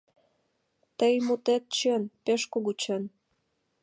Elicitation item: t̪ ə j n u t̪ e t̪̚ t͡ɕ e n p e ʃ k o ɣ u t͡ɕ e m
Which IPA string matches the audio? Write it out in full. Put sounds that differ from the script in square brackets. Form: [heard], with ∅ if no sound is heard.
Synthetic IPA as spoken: t̪ ə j [m] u t̪ e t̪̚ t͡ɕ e n p e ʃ k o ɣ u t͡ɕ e [n]